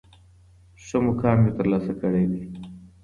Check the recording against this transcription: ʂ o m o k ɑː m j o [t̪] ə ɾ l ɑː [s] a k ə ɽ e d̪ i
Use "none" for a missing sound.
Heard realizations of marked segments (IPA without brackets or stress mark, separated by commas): t̪, s